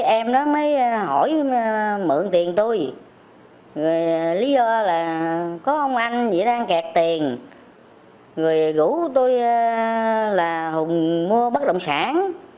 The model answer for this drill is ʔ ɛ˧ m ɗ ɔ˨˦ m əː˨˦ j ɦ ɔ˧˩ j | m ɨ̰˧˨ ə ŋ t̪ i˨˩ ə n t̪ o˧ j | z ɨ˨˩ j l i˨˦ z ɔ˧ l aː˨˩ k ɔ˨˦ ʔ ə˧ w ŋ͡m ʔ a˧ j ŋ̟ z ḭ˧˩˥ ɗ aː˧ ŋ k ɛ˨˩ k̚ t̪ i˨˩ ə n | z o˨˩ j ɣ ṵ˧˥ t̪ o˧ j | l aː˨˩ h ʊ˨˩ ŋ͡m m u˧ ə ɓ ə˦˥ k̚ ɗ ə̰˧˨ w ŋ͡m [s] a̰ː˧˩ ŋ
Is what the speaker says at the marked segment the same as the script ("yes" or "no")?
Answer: yes